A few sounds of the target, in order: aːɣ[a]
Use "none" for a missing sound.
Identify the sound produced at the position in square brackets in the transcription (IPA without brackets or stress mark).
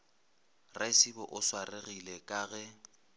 ɛ